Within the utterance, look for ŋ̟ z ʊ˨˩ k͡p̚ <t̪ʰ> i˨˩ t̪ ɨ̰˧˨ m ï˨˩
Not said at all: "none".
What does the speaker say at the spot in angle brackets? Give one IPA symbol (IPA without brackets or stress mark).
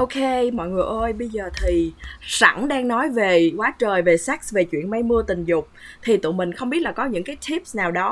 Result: t̪ʰ